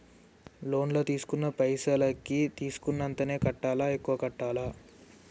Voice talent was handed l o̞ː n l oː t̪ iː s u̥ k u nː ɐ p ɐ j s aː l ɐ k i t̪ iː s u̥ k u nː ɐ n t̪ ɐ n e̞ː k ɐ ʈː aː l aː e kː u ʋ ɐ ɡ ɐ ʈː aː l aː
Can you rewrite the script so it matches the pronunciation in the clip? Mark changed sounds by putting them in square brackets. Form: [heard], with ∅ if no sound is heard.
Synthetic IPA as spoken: l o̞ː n l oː t̪ iː s u̥ k u nː ɐ p ɐ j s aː l ɐ k i t̪ iː s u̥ k u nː ɐ n t̪ ɐ n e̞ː k ɐ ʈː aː l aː e kː u ʋ ɐ [k] ɐ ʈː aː l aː